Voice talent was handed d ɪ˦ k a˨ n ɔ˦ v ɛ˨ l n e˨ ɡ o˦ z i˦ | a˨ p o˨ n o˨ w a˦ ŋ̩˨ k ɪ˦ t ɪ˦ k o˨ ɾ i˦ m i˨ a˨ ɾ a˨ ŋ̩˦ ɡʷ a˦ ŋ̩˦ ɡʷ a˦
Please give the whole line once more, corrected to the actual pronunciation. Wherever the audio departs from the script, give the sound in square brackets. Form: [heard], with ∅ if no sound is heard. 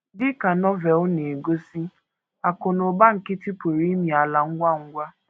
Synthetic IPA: d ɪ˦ k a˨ n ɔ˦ v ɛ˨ l n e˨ ɡ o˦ [s] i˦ | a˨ [k] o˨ n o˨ [b] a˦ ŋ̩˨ k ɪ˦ t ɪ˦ [p] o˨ ɾ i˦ m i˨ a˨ [l] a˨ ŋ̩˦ ɡʷ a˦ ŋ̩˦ ɡʷ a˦

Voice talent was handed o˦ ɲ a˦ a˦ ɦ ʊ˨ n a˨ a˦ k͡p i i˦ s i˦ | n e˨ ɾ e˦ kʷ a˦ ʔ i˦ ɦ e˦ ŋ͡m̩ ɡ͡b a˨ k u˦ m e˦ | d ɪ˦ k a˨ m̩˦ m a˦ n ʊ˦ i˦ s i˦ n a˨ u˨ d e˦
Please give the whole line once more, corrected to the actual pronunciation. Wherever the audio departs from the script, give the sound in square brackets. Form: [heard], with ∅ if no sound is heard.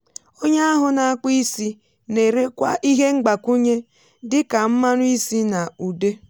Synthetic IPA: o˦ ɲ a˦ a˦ ɦ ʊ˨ n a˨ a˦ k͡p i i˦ s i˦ | n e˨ ɾ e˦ kʷ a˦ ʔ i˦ ɦ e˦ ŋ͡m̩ ɡ͡b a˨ k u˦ [ɲ] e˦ | d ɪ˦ k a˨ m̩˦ m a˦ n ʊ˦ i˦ s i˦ n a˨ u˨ d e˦

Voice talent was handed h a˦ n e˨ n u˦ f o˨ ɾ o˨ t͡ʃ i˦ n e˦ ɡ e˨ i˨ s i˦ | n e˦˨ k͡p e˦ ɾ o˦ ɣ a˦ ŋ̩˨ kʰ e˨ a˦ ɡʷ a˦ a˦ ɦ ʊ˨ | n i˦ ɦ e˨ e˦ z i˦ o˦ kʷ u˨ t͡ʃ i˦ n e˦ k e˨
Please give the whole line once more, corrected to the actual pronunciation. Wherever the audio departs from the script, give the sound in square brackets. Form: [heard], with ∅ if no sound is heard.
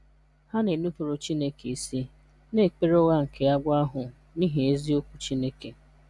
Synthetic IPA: h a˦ n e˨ n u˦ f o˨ ɾ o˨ t͡ʃ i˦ n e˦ [k] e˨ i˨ s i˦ | n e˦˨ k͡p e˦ ɾ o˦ ɣ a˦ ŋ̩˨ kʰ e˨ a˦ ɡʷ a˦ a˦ ɦ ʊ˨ | n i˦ ɦ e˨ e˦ z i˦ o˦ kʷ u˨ t͡ʃ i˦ n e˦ k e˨

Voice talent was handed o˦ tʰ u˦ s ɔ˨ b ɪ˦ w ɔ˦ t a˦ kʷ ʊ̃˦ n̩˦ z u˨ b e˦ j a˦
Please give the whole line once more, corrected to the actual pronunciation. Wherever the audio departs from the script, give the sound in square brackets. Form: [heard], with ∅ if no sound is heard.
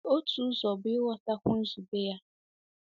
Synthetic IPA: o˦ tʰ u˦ [z] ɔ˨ b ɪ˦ w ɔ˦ t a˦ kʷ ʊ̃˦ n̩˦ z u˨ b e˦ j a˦

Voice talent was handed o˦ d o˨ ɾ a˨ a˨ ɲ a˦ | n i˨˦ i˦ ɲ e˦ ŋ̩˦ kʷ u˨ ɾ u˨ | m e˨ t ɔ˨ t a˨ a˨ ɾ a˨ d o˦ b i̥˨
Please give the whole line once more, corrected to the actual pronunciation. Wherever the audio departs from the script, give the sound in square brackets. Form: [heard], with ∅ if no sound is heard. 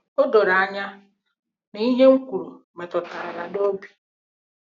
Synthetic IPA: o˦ d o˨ ɾ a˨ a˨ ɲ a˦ | n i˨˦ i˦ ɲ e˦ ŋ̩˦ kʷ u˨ ɾ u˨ | m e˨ t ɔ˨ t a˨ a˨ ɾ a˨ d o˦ b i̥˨

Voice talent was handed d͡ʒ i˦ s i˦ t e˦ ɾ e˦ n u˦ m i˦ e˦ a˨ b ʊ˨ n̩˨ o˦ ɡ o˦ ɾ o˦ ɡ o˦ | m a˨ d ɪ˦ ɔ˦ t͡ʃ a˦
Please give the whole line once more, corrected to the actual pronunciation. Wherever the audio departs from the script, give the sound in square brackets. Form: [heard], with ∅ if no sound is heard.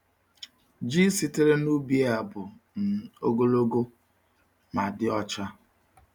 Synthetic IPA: d͡ʒ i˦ s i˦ t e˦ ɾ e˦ n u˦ [b] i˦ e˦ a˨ b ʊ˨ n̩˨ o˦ ɡ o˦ [l] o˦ ɡ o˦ | m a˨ d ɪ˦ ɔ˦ t͡ʃ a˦

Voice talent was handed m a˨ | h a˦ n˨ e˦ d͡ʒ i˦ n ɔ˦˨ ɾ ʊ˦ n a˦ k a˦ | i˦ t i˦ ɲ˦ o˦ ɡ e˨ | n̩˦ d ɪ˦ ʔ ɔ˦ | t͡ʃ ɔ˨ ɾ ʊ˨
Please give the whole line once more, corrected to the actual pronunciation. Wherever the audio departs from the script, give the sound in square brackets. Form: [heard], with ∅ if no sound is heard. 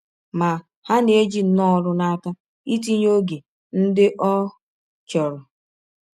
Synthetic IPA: m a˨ | h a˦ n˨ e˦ d͡ʒ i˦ n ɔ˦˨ ɾ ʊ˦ n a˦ k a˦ | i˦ t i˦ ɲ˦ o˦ ɡ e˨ | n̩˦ d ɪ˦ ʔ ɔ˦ | t͡ʃ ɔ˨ ɾ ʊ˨

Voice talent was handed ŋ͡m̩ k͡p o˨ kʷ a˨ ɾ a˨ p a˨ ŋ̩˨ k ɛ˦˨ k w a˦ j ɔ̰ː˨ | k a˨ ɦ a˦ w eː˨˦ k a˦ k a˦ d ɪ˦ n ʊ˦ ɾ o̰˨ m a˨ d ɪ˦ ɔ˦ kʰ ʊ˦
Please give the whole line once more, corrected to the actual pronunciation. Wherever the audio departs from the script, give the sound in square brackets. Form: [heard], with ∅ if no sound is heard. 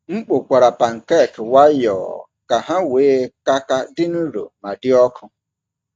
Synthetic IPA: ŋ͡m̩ k͡p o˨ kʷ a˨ ɾ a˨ p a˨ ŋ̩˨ k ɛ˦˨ k w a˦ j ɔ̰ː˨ | k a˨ ɦ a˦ w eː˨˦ k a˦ k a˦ d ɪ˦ n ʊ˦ ɾ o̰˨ m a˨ d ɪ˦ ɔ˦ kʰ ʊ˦

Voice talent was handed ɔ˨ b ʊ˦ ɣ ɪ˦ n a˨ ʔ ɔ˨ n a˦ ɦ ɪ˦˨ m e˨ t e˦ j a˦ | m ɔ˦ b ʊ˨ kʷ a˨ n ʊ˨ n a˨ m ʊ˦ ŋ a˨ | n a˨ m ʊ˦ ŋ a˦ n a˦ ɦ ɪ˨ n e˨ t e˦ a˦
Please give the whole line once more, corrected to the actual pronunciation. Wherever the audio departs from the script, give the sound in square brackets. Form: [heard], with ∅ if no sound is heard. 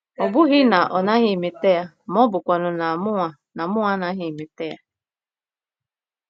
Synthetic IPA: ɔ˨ b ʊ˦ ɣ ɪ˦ n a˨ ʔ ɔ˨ n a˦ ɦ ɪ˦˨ m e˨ t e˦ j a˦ | m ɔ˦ b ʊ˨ kʷ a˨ n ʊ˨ n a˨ m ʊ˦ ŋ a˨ | n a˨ m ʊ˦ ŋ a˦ n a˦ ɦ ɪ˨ [m] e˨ t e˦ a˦

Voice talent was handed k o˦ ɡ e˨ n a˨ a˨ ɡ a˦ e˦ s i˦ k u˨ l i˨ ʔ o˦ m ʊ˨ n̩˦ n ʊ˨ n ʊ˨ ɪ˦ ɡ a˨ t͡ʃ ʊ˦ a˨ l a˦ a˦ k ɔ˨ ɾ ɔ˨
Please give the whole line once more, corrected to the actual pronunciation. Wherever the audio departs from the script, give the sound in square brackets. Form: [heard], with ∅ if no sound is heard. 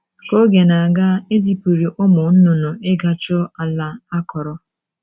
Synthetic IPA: k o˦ ɡ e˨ n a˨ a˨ ɡ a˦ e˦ [z] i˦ [p] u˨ [ɾ] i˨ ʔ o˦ m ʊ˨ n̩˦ n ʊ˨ n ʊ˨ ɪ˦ ɡ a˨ t͡ʃ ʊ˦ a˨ l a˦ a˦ k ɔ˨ ɾ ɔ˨

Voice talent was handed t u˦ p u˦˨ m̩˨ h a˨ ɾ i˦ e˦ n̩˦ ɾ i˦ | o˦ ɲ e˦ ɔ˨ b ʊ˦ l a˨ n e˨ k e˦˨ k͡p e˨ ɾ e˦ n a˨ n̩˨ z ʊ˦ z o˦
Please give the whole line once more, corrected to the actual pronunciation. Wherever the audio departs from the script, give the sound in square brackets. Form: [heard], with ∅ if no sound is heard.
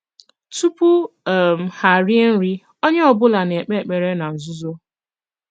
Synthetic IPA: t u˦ p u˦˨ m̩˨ h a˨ ɾ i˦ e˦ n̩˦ ɾ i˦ | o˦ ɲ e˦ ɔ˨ b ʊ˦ l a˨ n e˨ [k͡p] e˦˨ k͡p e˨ ɾ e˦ n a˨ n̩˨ z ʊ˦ z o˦

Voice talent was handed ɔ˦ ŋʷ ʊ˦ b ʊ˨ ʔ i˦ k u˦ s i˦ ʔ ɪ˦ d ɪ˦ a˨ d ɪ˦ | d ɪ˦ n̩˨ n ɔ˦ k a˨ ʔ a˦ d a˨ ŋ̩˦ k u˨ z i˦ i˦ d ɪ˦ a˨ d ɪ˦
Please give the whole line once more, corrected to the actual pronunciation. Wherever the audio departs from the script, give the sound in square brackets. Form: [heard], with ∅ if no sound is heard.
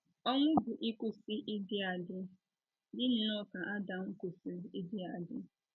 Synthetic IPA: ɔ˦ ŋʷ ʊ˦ b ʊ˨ ʔ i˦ k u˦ s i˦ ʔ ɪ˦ d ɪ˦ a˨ d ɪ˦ | d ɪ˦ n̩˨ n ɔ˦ k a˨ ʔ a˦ d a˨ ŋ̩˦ k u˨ [s] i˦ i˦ d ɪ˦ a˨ d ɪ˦

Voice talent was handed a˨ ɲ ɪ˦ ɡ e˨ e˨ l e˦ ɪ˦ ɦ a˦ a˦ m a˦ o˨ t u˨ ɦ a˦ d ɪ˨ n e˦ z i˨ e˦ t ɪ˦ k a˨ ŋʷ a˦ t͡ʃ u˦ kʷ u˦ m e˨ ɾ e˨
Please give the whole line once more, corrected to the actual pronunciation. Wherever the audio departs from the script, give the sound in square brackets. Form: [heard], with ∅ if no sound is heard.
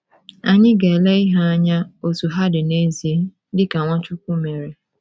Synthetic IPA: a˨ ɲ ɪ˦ ɡ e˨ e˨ l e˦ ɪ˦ ɦ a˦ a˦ [ɲ] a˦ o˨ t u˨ ɦ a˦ d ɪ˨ n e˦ z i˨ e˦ [d] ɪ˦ k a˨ ŋʷ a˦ t͡ʃ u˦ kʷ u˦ m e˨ ɾ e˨

